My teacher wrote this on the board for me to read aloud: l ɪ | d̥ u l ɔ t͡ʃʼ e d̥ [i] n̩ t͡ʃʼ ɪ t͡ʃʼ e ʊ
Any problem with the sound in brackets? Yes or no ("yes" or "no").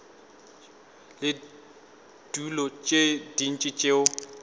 no